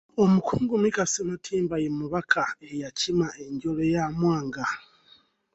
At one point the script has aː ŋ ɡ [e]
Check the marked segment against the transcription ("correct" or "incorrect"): incorrect